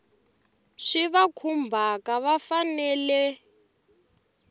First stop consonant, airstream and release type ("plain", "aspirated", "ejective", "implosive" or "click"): aspirated